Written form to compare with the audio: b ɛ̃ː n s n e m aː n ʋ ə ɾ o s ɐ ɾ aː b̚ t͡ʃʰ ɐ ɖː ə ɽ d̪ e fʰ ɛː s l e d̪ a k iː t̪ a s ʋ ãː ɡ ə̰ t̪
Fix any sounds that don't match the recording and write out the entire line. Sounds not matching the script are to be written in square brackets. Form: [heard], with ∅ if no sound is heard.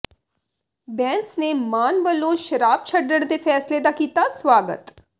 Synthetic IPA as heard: b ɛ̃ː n s n e m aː n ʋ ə [l] o [ʃ] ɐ ɾ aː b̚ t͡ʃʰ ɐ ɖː ə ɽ d̪ e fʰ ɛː s l e d̪ a k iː t̪ a s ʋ [aː] ɡ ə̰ t̪